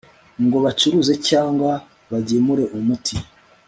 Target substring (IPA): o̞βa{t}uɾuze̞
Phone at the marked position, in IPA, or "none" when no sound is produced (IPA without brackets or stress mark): t͡ʃ